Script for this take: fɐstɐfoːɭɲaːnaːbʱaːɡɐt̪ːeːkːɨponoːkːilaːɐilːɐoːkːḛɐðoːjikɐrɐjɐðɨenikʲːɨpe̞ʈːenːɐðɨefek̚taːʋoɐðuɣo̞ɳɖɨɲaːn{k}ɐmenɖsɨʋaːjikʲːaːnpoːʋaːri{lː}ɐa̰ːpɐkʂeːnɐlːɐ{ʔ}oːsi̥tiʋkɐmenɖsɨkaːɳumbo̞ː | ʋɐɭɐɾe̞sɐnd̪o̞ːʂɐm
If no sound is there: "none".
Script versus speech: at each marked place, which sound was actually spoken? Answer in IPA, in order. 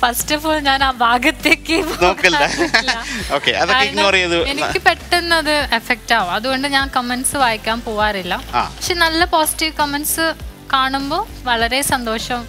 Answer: k, lː, p

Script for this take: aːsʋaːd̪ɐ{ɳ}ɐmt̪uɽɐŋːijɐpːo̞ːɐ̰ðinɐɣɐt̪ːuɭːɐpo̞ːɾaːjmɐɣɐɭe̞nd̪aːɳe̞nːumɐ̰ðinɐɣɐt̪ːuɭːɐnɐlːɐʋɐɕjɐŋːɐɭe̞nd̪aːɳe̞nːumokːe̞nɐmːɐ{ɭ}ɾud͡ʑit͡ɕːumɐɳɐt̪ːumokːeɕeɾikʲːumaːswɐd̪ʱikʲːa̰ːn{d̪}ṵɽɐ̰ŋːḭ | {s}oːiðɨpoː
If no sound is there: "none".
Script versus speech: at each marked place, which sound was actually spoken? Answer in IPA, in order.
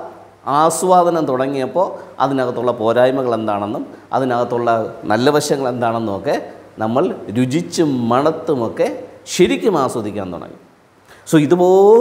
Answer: n, ɭ, t̪, s

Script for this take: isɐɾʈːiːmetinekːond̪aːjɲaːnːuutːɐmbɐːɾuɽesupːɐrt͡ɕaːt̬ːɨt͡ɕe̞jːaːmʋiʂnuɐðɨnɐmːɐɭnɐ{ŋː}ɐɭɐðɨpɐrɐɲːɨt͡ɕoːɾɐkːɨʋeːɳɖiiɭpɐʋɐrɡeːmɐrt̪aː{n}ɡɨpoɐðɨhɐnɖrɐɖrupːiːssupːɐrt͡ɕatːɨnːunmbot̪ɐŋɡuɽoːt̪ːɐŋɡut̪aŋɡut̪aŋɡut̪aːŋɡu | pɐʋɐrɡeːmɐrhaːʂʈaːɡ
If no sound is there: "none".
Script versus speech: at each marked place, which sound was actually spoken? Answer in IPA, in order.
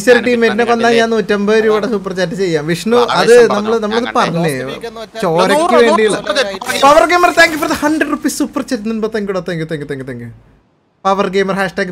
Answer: mː, ŋ

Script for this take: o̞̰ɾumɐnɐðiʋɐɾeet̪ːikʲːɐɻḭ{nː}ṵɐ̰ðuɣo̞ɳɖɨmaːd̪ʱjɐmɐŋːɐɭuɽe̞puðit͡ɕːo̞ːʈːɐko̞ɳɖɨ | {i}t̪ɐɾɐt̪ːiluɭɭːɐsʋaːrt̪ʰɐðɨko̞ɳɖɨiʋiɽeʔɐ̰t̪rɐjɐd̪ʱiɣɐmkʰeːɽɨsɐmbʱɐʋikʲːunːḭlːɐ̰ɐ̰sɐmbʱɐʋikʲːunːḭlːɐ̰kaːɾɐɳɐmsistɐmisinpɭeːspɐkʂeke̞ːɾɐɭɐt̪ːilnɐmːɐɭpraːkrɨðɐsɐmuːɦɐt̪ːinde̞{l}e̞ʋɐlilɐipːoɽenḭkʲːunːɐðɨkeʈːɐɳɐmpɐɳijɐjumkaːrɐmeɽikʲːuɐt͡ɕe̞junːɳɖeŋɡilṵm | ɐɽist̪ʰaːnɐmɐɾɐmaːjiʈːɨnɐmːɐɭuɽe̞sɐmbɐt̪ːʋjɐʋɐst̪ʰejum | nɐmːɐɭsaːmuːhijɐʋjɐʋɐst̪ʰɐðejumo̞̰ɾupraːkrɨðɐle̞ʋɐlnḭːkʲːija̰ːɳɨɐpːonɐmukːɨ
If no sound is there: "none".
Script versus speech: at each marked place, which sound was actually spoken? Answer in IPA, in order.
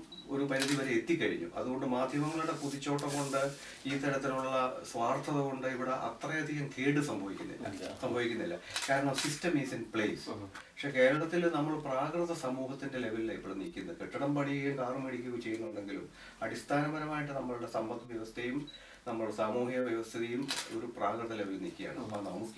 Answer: ɲː, iː, l

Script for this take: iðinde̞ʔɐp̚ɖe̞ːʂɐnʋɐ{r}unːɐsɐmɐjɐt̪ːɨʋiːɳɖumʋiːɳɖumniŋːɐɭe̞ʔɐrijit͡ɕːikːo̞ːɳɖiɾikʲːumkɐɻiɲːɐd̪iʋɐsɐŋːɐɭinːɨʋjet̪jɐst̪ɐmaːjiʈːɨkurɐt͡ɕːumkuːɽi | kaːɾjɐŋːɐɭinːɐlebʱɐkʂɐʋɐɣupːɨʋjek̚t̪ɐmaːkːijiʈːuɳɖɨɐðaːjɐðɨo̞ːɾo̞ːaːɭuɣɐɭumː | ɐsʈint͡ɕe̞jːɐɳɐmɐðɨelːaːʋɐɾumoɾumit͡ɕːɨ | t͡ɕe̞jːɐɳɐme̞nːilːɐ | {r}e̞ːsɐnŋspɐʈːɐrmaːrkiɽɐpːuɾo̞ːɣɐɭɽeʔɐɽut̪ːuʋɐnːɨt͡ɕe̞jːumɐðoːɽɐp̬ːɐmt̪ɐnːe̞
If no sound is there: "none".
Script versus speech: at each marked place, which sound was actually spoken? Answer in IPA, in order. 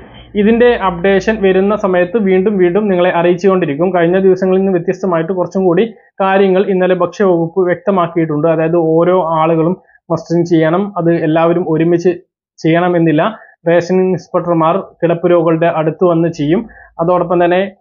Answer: ɾ, r

